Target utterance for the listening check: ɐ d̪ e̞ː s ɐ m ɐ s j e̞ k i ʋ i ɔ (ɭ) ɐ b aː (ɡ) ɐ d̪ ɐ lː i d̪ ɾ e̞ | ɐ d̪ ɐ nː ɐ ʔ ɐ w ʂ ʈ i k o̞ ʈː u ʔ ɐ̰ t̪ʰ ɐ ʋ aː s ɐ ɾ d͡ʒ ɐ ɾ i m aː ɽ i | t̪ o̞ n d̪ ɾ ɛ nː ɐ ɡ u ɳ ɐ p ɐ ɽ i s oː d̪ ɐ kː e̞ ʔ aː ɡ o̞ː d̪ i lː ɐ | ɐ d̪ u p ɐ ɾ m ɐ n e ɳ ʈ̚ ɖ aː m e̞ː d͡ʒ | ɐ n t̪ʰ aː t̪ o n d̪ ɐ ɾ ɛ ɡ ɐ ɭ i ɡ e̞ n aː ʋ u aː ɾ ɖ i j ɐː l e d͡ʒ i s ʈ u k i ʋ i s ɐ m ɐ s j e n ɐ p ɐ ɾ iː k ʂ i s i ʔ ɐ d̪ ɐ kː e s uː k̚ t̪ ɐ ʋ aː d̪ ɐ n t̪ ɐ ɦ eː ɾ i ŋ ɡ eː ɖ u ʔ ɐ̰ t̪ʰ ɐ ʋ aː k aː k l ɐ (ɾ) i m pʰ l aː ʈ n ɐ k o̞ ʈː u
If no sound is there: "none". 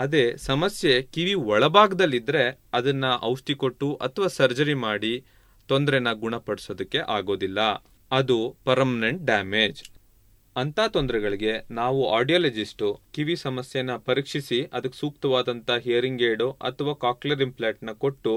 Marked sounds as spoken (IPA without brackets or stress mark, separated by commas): ɭ, ɡ, ɾ